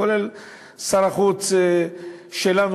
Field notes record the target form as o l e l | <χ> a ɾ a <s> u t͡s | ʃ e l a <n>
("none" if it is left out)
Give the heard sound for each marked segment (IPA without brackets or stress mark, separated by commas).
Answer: s, χ, n